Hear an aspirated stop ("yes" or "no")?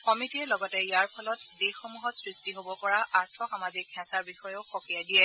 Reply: yes